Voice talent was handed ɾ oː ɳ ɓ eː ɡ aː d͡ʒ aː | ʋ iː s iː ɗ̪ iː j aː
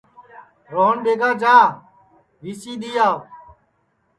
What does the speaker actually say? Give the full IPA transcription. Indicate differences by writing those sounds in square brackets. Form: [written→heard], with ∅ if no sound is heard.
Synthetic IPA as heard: ɾ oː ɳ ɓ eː ɡ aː d͡ʒ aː | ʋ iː s iː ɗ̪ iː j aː